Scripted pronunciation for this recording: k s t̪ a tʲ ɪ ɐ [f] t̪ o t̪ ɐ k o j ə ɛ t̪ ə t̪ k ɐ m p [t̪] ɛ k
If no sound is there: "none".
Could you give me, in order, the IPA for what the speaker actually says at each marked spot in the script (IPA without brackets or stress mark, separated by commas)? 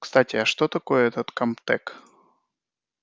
ʂ, t̪